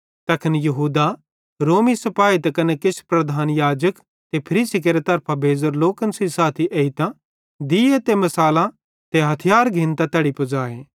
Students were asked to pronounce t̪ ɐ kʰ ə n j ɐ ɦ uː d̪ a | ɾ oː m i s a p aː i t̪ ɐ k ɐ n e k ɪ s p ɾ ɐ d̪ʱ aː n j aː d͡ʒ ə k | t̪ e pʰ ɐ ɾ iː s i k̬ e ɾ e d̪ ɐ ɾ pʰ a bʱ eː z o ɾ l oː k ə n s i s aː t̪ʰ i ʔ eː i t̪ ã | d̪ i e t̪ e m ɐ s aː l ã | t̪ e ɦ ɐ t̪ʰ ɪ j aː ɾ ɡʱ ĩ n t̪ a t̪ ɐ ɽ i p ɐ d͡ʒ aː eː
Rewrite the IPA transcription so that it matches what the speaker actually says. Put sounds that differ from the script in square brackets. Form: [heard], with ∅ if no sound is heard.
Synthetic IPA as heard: t̪ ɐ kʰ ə n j ɐ ɦ uː d̪ a | ɾ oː m i s [ɐ] p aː i t̪ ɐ k ɐ n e k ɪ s p ɾ ɐ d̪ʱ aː n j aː d͡ʒ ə k | t̪ e pʰ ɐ ɾ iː s i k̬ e ɾ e [t̪] ɐ ɾ pʰ a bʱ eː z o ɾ l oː k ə n s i s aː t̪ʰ i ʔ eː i t̪ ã | d̪ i e t̪ e m ɐ s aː l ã | t̪ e ɦ ɐ t̪ʰ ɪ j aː ɾ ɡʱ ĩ n t̪ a t̪ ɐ ɽ i p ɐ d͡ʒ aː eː